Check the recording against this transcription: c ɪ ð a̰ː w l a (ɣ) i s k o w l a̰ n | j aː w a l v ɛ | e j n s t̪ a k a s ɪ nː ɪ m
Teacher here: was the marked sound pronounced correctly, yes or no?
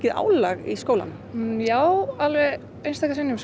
yes